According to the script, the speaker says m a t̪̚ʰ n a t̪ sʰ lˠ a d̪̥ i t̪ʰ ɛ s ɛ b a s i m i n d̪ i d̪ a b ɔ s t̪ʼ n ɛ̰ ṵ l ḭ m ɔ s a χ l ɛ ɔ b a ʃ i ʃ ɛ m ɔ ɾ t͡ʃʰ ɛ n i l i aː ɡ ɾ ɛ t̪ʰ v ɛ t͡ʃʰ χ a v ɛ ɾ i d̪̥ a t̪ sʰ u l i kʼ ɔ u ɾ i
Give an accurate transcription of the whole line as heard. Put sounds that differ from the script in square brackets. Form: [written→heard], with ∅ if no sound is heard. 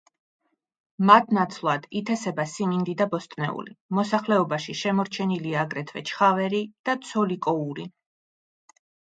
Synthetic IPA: m a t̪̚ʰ n a t̪ sʰ lˠ a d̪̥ i t̪ʰ ɛ s ɛ b a s i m i n d̪ i d̪ a b ɔ s t̪ʼ n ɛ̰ ṵ l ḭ m ɔ s a χ l ɛ ɔ b a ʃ i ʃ ɛ m ɔ ɾ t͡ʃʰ ɛ n i l i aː ɡ ɾ ɛ t̪ʰ v ɛ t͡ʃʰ χ a v ɛ ɾ i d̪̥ a t̪ sʰ [u→ɔ] l i kʼ ɔ u ɾ i